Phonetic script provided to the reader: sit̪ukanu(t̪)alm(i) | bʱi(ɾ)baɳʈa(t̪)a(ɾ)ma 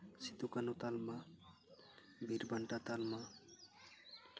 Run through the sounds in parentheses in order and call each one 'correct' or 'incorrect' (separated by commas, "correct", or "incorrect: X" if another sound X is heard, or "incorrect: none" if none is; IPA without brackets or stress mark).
correct, incorrect: a, correct, correct, incorrect: l